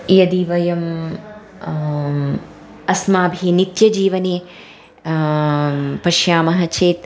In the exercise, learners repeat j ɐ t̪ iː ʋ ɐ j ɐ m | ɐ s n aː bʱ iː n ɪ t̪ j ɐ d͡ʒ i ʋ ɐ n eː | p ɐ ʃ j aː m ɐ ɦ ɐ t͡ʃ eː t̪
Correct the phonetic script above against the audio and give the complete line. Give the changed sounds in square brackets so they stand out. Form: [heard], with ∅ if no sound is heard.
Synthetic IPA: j ɐ [d̪] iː ʋ ɐ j ɐ m | ɐ s [m] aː bʱ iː n [i] t̪ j ɐ d͡ʒ [iː] ʋ ɐ n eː | p ɐ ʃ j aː m ɐ ɦ ɐ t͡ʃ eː t̪

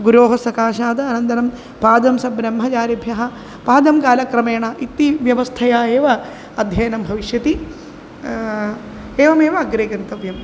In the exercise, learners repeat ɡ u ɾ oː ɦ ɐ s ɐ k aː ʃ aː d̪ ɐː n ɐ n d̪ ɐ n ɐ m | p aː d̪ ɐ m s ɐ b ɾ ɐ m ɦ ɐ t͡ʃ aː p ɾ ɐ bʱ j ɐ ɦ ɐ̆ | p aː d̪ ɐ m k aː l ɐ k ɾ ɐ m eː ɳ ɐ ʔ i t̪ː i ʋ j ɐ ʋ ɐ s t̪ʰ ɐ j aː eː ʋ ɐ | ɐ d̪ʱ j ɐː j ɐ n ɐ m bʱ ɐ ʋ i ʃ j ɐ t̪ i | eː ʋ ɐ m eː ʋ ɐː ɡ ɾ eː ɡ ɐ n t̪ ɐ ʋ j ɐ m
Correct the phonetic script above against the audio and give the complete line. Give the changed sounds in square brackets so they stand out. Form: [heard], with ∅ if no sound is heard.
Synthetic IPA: ɡ u ɾ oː ɦ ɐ s ɐ k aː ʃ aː d̪ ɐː n ɐ n d̪ ɐ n ɐ m | p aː d̪ ɐ m s ɐ b ɾ ɐ m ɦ ɐ t͡ʃ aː [∅] ɾ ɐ bʱ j ɐ ɦ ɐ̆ | p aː d̪ ɐ m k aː l ɐ k ɾ ɐ m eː ɳ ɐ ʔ i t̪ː i ʋ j ɐ ʋ ɐ s t̪ʰ ɐ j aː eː ʋ ɐ | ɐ d̪ʱ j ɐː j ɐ n ɐ m bʱ ɐ ʋ i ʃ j ɐ t̪ i | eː ʋ ɐ m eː ʋ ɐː ɡ ɾ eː ɡ ɐ n t̪ ɐ ʋ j ɐ m

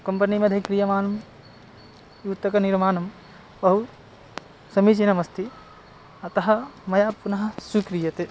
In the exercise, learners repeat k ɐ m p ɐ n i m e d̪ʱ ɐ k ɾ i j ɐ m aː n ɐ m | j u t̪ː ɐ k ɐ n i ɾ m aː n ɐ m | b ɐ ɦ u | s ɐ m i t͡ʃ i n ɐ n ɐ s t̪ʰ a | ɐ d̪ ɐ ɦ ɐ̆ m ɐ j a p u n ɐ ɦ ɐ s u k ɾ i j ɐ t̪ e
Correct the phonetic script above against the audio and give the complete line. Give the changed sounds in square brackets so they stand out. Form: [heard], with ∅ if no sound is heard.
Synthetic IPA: k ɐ m p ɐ n i m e d̪ʱ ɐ k ɾ i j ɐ m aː n ɐ m | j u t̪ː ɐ k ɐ n i ɾ m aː n ɐ m | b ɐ ɦ u | s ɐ m i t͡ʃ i n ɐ [m] ɐ s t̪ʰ [i] | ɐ [t̪] ɐ ɦ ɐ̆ m ɐ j a p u n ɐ ɦ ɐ s u k ɾ i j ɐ t̪ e

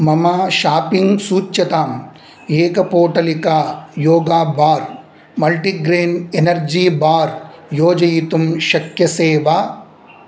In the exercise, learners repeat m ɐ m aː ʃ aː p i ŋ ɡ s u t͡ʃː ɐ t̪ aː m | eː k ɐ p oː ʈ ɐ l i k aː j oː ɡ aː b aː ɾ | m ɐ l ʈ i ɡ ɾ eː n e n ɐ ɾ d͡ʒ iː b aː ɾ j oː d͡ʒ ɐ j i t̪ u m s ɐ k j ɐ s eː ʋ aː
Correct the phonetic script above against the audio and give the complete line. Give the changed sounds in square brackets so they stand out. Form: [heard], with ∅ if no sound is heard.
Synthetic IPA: m ɐ m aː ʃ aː p i ŋ ɡ s [uː] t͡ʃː ɐ t̪ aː m | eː k ɐ p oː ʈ ɐ l i k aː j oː ɡ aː b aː ɾ | m ɐ l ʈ i ɡ ɾ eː n e n ɐ ɾ d͡ʒ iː b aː ɾ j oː d͡ʒ ɐ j i t̪ u m [ʃ] ɐ k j ɐ s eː ʋ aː

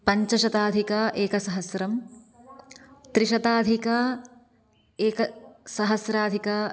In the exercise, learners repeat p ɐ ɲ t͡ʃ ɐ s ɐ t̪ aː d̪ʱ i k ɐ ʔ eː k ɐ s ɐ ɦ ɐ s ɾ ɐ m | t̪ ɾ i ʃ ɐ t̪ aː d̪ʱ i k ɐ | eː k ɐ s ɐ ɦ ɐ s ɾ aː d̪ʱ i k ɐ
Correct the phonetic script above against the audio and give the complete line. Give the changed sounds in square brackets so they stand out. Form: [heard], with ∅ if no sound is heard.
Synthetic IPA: p ɐ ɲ t͡ʃ ɐ [ʃ] ɐ t̪ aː d̪ʱ i k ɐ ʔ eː k ɐ s ɐ ɦ ɐ s ɾ ɐ m | t̪ ɾ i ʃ ɐ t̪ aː d̪ʱ i k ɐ | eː k ɐ s ɐ ɦ ɐ s ɾ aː d̪ʱ i k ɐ

